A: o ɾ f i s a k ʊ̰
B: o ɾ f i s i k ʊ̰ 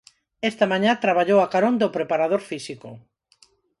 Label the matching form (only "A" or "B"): B